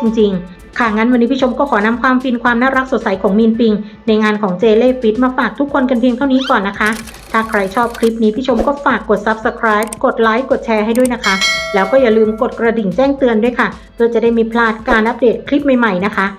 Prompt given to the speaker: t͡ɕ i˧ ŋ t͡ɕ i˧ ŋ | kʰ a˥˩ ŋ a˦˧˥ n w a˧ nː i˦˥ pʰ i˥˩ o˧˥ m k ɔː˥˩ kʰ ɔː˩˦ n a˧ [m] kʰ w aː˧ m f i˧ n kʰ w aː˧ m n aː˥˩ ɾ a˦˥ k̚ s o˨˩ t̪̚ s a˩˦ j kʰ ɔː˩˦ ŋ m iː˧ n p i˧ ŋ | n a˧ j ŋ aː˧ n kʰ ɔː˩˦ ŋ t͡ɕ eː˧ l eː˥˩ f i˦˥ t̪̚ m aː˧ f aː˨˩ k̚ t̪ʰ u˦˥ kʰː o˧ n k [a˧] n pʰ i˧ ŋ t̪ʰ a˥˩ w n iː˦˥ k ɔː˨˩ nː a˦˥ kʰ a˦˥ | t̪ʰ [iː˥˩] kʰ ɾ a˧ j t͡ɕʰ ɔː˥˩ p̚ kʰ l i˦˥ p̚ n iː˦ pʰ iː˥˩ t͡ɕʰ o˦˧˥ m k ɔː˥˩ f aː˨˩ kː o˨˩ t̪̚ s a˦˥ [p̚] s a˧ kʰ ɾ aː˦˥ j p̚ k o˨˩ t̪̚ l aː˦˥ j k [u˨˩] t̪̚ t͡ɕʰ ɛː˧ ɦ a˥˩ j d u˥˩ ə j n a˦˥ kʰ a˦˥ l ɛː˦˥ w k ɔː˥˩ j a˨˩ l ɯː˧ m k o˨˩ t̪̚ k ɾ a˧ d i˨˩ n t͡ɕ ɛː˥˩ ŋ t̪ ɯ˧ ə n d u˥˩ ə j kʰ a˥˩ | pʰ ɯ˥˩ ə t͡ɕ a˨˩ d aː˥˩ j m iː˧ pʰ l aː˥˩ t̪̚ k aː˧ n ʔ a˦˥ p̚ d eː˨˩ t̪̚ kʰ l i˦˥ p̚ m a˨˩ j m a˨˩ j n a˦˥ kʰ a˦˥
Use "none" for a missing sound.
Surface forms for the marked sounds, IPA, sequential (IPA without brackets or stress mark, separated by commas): m, a˧, aː˥˩, p̚, o˨˩